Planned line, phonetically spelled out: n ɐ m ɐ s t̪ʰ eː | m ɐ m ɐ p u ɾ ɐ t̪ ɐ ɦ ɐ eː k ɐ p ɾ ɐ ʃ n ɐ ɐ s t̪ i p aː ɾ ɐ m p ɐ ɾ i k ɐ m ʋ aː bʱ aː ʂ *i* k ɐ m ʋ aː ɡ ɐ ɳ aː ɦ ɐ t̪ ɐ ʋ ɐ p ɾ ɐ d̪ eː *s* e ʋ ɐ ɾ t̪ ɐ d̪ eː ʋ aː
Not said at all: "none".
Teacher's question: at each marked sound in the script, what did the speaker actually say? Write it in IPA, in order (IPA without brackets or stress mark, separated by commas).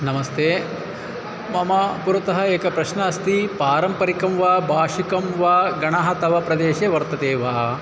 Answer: i, ʃ